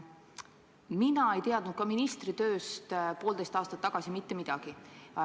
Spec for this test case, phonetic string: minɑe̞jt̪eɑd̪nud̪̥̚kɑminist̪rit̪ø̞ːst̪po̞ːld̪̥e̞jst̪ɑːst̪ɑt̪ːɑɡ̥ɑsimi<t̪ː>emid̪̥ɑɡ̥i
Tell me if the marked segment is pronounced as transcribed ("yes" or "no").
yes